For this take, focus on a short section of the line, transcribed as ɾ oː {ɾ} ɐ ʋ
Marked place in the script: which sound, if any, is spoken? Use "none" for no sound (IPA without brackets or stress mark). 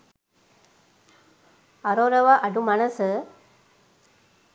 ɾ